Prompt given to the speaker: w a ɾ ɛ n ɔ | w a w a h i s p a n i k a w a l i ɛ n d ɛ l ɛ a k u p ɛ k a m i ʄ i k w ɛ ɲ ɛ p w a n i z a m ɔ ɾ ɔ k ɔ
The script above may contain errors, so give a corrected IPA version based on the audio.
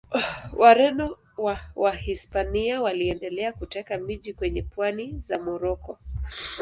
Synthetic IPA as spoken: w a ɾ ɛ n ɔ | w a w a h i s p a n i a w a l i ɛ n d ɛ l ɛ a k u t ɛ k a m i ʄ i k w ɛ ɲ ɛ p w a n i z a m ɔ ɾ ɔ k ɔ

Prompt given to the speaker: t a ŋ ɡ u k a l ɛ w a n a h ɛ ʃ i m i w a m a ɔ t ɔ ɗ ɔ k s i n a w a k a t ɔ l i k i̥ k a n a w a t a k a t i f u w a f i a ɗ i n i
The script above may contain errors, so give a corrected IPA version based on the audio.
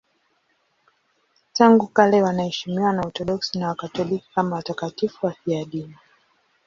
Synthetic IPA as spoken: t a ŋ ɡ u k a l ɛ w a n a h ɛ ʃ i m i w a n a ɔ t ɔ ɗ ɔ k s i n a w a k a t ɔ l i k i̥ k a m a w a t a k a t i f u w a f i a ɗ i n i

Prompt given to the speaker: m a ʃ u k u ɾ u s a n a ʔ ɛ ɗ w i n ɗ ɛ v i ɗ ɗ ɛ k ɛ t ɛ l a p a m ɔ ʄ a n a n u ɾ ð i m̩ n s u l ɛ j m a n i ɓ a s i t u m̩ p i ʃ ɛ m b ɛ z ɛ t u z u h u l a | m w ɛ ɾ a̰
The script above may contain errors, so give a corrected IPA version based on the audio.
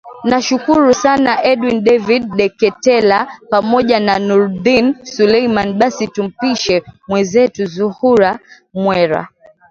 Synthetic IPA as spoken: n a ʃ u k u ɾ u s a n a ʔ ɛ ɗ w i n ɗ ɛ v i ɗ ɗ ɛ k ɛ t ɛ l a p a m ɔ ʄ a n a n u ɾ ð i n s u l ɛ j m a n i ɓ a s i t u m̩ p i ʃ ɛ m w ɛ z ɛ t u z u h u ɾ a | m w ɛ ɾ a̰

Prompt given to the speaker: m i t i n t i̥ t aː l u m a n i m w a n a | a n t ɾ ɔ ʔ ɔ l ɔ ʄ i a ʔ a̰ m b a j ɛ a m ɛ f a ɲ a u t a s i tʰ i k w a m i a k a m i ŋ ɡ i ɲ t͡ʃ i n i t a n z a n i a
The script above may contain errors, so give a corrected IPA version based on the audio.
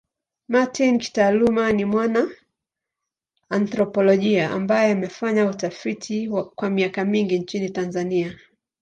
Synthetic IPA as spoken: m a t i n k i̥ t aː l u m a n i m w a n a | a n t ɾ ɔ p ɔ l ɔ ʄ i a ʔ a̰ m b a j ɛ a m ɛ f a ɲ a u t a f i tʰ i k w a m i a k a m i ŋ ɡ i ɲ t͡ʃ i n i t a n z a n i a

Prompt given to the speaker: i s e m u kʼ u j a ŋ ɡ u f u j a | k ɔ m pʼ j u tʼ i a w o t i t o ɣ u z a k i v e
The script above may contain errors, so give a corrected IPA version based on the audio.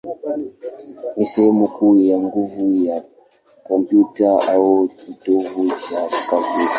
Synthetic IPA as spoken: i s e m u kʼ u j a ŋ ɡ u v u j a | k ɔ m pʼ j u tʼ a a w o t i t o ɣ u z a k a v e

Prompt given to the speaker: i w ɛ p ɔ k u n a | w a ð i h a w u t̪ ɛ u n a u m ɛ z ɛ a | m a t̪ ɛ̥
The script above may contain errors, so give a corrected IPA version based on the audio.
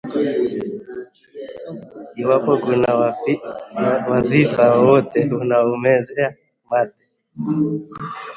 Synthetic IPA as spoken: i w a p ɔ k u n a | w a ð i f a w ɔ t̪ ɛ u n a u m ɛ z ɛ a | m a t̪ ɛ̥

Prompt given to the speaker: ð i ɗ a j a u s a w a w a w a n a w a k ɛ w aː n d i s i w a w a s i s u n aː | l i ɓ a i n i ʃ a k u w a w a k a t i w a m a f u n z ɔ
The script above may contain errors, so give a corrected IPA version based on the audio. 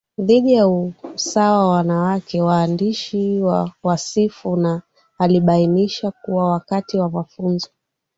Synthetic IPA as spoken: ð i ɗ i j a u s a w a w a w a n a w a k ɛ w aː n d i ʃ i w a w a s i f u n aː | l i ɓ a i n i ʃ a k u w a w a k a t i w a m a f u n z ɔ

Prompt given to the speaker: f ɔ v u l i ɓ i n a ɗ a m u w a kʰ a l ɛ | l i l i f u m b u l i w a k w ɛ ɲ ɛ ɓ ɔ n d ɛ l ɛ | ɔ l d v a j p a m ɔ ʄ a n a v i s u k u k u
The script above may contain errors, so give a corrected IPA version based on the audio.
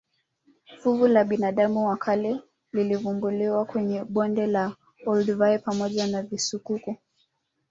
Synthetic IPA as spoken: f u v u l a ɓ i n a ɗ a m u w a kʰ a l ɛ | l i l i v u m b u l i w a k w ɛ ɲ ɛ ɓ ɔ n d ɛ l a | ɔ l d v a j p a m ɔ ʄ a n a v i s u k u k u

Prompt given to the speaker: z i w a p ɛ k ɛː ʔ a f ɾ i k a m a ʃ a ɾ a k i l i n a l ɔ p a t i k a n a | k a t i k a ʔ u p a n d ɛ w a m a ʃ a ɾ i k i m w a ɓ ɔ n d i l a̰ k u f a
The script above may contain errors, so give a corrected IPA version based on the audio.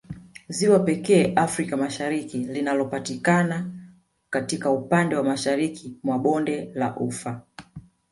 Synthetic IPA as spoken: z i w a p ɛ k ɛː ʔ a f ɾ i k a m a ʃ a ɾ i k i l i n a l ɔ p a t i k a n a | k a t i k a u p a n d ɛ w a m a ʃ a ɾ i k i m w a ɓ ɔ n d ɛ l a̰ ʔ u f a

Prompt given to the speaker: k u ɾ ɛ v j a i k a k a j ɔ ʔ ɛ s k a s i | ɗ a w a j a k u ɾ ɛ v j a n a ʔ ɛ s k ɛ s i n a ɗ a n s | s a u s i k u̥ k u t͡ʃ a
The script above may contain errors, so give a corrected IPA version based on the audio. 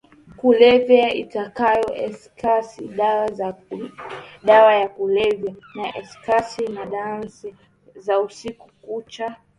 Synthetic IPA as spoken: k u l ɛ v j a i t a k a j ɔ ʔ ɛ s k a s i | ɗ a w a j a k u l ɛ v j a n a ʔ ɛ s k a s i n a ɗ a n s | z a u s i k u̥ k u t͡ʃ a

